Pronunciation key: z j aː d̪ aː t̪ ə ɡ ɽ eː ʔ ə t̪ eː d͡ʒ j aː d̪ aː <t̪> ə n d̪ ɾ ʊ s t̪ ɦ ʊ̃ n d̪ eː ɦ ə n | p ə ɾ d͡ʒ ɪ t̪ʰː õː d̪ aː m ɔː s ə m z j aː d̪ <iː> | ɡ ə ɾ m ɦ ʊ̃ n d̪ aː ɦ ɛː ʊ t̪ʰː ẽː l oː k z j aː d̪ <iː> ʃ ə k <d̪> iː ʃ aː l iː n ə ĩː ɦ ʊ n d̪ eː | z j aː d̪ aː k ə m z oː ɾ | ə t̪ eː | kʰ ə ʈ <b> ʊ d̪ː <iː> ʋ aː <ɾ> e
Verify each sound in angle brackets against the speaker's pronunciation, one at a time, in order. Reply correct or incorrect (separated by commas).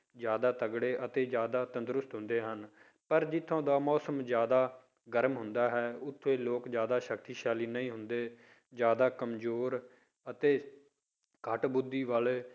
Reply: correct, incorrect, incorrect, incorrect, correct, correct, incorrect